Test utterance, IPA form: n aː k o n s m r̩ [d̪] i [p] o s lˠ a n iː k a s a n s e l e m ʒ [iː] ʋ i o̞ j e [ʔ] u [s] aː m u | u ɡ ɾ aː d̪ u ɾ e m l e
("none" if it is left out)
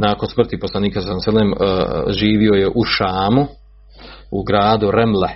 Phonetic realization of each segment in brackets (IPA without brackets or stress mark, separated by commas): t̪, p, iː, ʔ, ʃ